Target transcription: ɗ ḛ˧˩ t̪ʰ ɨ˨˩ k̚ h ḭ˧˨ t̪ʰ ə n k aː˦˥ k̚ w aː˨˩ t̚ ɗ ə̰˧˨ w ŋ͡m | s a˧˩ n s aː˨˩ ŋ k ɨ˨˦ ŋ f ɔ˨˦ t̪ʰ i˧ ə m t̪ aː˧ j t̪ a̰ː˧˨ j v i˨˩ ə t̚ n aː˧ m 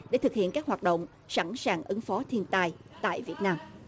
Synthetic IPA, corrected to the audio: ɗ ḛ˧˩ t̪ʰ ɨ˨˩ k̚ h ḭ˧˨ ə n k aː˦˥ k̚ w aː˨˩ t̚ ɗ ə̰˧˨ w ŋ͡m | s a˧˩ n s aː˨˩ ŋ ʔ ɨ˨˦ ŋ f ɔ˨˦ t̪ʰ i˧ ə n t̪ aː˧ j t̪ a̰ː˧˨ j v i˨˩ ə t̚ n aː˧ m